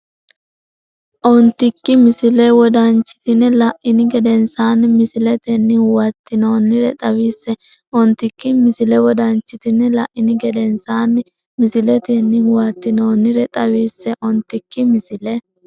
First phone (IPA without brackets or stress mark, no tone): ʔ